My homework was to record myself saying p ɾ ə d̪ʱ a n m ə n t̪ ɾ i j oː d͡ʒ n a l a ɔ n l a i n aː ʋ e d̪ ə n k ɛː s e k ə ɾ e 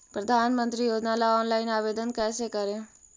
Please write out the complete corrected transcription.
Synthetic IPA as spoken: p ɾ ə d̪ʱ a n m ə n t̪ ɾ i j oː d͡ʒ n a l a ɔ n l a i n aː ʋ e d̪ ə n k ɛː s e k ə ɾ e